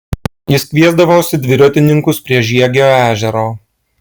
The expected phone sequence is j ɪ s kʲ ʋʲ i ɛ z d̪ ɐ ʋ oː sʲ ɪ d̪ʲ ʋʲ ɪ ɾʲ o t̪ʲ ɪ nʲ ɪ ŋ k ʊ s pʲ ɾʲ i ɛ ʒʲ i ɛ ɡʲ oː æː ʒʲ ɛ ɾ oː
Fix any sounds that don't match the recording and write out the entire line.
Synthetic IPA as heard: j ɪ s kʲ ʋʲ i ɛ z d̪ ɐ ʋ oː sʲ ɪ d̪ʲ ʋʲ ɪ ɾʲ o t̪ʲ ɪ nʲ ɪ ŋ k ʊ s pʲ ɾʲ i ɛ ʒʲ i ɛ ɡʲ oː æː ʒʲ ɛ ɾ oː